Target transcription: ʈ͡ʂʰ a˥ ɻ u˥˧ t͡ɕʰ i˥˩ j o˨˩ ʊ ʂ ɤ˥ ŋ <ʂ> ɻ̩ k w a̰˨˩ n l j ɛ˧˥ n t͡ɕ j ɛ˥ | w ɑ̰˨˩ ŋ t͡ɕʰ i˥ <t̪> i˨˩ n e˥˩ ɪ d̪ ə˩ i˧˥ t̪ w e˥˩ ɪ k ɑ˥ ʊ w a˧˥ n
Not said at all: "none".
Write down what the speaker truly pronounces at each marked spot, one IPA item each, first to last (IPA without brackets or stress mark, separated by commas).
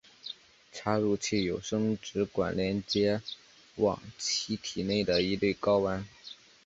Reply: ʈ͡ʂ, t̪ʰ